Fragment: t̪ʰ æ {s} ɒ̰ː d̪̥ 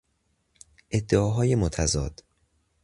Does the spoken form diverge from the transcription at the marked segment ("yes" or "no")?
yes